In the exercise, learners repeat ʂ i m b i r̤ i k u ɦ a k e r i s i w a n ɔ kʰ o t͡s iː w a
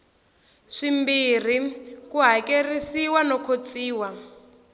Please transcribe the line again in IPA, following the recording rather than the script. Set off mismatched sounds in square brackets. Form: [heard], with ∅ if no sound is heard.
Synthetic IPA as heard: ʂ i m b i r̤ i k u ɦ a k e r i s i w a n ɔ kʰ o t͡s iː w a